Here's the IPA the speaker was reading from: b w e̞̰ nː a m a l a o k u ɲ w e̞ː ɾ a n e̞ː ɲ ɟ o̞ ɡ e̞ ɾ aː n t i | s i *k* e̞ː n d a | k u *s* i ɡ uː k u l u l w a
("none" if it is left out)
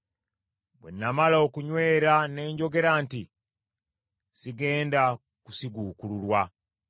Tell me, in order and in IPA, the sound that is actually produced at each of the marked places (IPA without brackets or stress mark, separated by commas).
ɡ, s